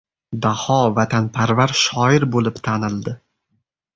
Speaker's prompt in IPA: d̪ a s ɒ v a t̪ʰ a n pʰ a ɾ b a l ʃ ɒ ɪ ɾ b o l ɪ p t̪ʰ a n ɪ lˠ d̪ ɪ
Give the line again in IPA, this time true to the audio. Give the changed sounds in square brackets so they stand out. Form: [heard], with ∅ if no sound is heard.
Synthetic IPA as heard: d̪ a [h] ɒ v a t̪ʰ a n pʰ a ɾ [v] a [ɾ] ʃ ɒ ɪ ɾ b o l ɪ p t̪ʰ a n ɪ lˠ d̪ ɪ